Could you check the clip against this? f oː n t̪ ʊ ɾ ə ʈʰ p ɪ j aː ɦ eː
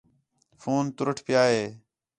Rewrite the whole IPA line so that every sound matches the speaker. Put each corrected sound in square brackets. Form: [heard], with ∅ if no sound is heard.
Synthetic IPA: f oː n t̪ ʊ ɾ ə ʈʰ p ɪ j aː ɦ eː